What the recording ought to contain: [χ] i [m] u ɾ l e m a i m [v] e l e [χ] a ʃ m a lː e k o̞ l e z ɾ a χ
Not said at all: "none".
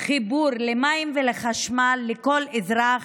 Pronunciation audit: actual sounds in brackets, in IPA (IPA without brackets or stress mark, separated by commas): χ, b, v, χ